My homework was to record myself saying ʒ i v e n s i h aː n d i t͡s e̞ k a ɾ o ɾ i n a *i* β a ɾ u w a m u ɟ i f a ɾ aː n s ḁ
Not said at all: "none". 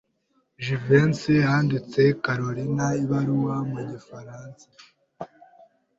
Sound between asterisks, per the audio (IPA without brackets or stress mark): i